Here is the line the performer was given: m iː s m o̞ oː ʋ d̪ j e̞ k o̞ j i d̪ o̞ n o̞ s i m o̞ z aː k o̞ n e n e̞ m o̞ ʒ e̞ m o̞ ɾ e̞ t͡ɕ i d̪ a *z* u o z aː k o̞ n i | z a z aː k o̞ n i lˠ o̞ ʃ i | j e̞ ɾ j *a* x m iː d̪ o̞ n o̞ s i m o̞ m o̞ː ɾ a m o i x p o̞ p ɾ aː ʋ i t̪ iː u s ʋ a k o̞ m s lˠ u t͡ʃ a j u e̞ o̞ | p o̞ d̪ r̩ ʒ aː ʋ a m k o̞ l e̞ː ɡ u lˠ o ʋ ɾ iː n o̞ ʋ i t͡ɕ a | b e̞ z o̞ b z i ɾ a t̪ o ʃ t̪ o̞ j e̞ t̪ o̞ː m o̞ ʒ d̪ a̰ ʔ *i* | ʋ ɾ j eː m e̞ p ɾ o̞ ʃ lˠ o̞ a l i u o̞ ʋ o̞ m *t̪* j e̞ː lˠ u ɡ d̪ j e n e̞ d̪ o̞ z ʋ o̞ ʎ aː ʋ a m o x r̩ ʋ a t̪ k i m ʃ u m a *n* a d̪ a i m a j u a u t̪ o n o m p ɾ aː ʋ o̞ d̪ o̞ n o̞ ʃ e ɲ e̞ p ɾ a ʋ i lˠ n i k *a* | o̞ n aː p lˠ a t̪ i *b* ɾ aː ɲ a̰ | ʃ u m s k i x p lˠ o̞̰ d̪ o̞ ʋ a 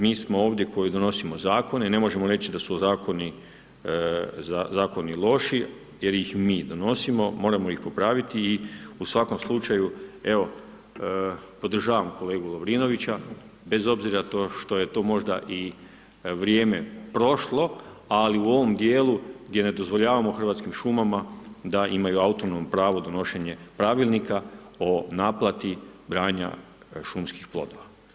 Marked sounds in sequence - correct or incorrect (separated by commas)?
incorrect, incorrect, correct, incorrect, incorrect, correct, correct